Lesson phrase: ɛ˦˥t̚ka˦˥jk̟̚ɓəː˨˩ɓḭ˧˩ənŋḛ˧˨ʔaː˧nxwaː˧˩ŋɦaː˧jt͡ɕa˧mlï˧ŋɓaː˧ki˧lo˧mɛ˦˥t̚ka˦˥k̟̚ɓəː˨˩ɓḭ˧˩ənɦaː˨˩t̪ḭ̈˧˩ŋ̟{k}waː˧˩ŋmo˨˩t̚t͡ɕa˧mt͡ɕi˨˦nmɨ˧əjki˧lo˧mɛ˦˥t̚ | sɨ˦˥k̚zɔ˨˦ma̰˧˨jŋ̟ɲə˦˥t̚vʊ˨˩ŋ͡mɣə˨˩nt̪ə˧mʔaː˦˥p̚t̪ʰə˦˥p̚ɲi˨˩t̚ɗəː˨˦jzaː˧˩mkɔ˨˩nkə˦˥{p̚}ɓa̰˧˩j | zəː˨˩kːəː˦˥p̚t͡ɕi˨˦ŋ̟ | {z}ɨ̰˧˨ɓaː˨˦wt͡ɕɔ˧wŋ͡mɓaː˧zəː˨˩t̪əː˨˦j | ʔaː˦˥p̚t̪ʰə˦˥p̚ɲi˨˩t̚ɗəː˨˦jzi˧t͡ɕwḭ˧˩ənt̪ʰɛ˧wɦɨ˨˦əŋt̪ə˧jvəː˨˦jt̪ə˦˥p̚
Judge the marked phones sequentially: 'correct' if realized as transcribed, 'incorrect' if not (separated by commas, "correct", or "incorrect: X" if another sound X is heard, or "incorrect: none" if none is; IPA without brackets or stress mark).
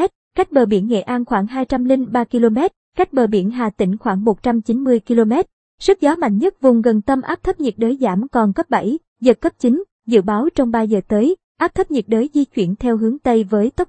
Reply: incorrect: x, correct, correct